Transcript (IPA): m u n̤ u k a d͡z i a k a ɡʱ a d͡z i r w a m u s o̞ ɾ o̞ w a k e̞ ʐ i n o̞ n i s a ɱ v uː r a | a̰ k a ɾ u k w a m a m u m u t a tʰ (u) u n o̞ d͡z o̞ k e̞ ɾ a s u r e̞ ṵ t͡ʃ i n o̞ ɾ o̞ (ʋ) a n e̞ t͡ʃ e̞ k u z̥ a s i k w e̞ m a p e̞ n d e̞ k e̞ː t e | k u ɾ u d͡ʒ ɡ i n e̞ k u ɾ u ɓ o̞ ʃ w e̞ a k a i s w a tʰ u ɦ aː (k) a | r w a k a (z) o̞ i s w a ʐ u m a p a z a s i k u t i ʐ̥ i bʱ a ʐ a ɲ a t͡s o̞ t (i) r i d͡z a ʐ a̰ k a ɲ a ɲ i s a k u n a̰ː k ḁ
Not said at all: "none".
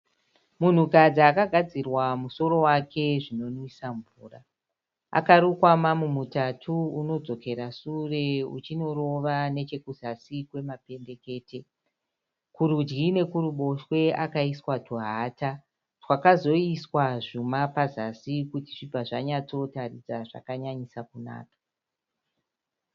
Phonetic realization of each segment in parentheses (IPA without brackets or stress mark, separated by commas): u, ʋ, t, z, a